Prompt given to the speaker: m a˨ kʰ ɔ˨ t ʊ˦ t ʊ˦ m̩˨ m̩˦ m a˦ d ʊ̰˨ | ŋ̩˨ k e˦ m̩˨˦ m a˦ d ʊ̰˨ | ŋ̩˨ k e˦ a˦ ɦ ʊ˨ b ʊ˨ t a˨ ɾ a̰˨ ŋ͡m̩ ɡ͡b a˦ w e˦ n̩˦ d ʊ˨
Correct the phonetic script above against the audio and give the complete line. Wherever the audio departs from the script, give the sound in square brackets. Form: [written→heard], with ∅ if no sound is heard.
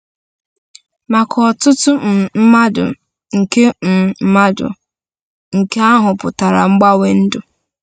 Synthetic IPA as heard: m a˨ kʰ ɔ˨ t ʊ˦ t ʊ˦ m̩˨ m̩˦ m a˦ d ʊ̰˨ | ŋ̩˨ k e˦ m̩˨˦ m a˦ d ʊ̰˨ | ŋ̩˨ k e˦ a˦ ɦ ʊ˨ [b→p] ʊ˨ t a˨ ɾ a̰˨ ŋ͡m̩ ɡ͡b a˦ w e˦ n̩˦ d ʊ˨